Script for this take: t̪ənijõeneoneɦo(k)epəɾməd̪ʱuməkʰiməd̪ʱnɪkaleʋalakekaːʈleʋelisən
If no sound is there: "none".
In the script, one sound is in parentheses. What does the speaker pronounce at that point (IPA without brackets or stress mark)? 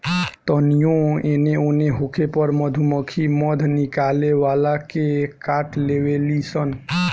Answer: kʰ